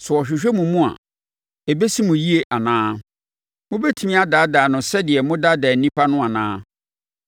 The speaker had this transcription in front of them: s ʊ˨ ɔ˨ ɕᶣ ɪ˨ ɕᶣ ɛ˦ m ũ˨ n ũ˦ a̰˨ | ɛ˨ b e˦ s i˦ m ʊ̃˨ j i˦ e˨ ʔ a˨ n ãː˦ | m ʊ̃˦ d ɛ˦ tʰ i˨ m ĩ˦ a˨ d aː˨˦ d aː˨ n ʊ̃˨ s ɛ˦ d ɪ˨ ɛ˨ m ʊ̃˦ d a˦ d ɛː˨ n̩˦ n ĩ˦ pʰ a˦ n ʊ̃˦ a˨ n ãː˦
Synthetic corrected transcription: s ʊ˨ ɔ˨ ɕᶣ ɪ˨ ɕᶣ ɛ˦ m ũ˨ m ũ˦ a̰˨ | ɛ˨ b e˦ s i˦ m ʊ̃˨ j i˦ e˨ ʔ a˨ n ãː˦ | m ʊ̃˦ b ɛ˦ tʰ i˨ m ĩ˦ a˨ d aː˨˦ d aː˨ n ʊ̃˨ s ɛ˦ d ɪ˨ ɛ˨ m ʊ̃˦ d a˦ d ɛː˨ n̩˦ n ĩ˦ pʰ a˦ n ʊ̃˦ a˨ n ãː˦